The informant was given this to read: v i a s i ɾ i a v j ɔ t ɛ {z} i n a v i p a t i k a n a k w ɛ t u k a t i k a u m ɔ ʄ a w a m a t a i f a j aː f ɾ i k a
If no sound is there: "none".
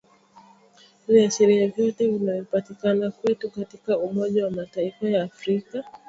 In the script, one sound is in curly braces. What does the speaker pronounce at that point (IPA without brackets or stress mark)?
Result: v